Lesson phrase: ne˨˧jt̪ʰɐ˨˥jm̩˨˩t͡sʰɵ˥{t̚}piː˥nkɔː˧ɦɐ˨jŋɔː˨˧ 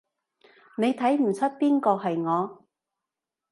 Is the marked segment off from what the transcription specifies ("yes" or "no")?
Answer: no